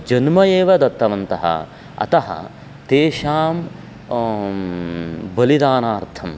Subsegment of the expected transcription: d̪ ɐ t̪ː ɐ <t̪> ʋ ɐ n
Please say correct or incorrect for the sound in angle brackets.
incorrect